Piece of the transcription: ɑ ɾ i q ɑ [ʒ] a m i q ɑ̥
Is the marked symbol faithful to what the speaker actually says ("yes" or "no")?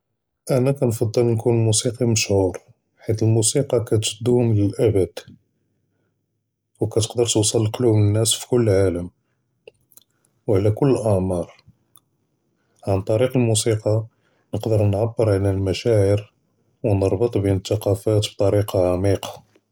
no